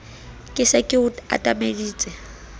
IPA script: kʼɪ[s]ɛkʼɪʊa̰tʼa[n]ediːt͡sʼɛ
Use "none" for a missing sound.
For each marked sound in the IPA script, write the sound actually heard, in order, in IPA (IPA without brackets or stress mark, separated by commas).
s, m